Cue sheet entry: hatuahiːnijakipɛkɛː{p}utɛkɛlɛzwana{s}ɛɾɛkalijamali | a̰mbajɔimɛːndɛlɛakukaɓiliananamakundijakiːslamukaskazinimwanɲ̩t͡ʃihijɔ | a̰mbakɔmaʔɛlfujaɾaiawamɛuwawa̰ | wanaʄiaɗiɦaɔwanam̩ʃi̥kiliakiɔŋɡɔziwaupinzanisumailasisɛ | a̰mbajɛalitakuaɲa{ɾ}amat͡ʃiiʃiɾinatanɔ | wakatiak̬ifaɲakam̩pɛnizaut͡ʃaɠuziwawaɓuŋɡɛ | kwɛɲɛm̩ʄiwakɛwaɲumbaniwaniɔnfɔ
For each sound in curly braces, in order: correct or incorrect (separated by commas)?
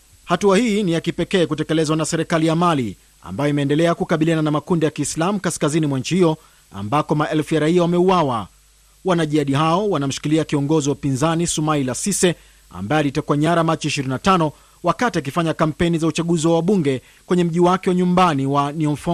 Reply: incorrect, correct, correct